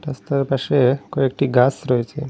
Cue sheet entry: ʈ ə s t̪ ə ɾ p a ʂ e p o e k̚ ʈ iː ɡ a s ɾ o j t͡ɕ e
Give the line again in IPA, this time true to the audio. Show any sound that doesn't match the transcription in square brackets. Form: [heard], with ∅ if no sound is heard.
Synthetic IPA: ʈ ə s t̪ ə ɾ p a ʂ e [k] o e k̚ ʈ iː ɡ a s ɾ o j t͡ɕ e